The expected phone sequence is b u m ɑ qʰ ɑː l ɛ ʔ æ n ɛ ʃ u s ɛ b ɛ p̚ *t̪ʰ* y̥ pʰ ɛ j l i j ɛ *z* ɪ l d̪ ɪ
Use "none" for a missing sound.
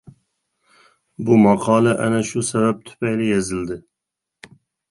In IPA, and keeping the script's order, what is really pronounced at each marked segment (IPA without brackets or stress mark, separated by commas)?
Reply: t̪ʰ, z